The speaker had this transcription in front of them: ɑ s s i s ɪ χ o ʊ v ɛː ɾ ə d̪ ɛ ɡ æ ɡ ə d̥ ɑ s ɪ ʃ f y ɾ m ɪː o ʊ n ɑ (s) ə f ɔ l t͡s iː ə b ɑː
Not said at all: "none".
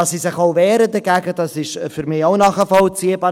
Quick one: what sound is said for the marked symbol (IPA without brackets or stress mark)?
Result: χ